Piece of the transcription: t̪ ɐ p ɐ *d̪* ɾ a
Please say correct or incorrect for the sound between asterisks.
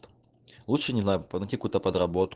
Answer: correct